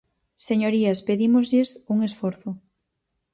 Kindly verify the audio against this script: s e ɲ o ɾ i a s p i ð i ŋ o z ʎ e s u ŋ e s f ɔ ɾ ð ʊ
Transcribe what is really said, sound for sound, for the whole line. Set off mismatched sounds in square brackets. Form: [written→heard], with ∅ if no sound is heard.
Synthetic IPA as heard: s e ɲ o ɾ i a s p [i→e] ð i [ŋ→m] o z ʎ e s u ŋ e s f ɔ ɾ [ð→θ] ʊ